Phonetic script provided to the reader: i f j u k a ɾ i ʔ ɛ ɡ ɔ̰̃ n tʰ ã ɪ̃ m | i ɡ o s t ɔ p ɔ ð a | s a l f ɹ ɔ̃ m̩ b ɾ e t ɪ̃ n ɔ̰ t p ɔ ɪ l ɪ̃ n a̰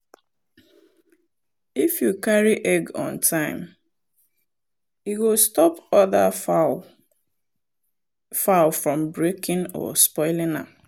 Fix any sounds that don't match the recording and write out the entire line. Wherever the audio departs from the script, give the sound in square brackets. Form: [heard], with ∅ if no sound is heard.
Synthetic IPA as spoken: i f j u k a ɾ i ʔ ɛ ɡ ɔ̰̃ n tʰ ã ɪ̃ m | i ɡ o s t ɔ p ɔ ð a | [f] a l f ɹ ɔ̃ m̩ b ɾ e [k] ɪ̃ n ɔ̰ [s] p ɔ ɪ l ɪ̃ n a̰